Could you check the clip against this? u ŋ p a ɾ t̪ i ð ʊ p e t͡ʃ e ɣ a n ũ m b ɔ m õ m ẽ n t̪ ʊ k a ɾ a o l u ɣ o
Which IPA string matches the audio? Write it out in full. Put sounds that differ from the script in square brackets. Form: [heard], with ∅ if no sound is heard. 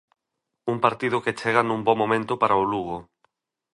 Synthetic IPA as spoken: u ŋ p a ɾ t̪ i ð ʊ [k] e t͡ʃ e ɣ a n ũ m b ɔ m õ m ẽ n t̪ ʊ [p] a ɾ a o l u ɣ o